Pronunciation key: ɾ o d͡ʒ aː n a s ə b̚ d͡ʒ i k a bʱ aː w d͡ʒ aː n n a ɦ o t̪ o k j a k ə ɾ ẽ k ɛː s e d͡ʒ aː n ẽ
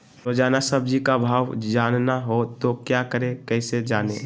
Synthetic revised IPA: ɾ o d͡ʒ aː n a s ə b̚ d͡ʒ i k a bʱ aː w d͡ʒ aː n n a ɦ o t̪ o k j a k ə ɾ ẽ k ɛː s e d͡ʒ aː n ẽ